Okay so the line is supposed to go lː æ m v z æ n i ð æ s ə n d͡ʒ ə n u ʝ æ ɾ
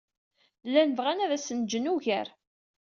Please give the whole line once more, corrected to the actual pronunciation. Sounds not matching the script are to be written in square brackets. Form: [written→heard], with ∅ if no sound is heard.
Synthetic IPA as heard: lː æ [m→n] v [z→ʁ] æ n [i→æ] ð æ s ə n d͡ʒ ə n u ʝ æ ɾ